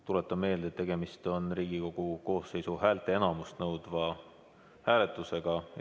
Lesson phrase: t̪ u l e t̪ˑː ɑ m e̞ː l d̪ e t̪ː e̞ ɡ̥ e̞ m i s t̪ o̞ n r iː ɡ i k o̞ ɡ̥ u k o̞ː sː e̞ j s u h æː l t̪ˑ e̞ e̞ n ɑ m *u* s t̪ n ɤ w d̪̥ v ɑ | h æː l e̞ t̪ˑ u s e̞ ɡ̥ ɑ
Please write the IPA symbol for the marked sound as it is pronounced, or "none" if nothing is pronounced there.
u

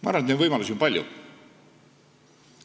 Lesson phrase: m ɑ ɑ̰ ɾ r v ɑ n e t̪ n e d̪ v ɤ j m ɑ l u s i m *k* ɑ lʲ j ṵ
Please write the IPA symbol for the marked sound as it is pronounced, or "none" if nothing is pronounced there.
p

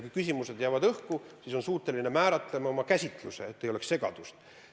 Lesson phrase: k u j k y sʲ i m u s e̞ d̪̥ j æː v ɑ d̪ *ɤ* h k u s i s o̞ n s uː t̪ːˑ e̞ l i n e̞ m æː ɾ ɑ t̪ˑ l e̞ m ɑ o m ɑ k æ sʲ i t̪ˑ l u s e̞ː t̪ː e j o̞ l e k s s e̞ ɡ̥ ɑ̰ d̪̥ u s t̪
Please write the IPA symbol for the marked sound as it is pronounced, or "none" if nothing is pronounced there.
ɤ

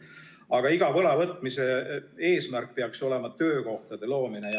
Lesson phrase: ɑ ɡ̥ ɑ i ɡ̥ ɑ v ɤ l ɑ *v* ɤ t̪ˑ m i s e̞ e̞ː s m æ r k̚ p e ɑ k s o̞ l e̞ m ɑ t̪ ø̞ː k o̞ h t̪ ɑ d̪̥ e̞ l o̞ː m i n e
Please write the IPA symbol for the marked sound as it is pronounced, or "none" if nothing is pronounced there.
v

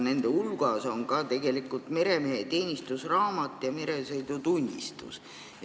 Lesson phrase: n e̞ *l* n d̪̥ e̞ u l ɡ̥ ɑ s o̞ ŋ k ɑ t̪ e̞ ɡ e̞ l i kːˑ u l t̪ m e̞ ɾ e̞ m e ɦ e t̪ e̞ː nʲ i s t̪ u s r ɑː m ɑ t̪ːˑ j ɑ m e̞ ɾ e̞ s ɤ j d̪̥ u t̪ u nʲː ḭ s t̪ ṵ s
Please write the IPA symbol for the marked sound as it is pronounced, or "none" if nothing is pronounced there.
none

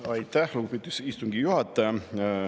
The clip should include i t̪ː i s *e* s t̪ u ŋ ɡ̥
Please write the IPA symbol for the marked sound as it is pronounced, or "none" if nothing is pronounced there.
i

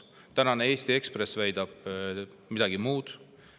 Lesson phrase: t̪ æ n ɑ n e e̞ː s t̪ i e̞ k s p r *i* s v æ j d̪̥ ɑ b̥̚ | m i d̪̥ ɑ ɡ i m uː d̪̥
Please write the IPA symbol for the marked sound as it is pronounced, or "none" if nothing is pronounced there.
e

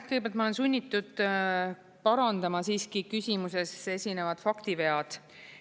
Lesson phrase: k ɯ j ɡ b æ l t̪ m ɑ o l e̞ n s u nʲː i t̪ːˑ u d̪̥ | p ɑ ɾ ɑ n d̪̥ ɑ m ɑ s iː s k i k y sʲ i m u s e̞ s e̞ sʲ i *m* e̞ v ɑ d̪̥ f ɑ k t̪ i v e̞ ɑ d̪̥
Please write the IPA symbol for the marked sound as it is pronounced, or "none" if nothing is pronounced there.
n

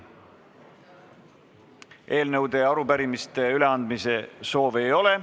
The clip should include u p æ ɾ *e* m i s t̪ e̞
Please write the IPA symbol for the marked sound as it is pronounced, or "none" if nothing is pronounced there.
i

